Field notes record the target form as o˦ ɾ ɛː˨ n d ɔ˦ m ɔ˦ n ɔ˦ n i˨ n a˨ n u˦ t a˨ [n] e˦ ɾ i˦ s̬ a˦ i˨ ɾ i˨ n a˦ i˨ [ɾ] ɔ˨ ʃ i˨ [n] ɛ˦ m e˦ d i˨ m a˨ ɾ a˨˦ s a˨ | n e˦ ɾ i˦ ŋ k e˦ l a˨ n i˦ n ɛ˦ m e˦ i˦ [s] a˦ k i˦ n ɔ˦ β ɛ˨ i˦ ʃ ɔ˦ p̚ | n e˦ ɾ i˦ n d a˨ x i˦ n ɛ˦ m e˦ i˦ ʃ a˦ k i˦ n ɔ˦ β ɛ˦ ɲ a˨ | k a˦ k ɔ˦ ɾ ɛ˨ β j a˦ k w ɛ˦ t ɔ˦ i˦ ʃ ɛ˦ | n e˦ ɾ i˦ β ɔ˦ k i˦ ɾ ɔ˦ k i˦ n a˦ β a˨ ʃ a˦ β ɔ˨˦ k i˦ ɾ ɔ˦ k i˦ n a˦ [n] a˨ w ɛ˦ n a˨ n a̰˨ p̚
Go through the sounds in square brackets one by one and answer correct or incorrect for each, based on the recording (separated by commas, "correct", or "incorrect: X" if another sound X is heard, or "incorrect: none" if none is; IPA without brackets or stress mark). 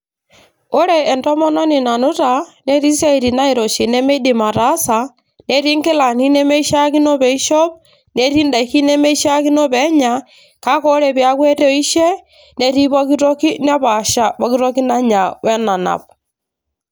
correct, correct, correct, incorrect: ʃ, incorrect: ɲ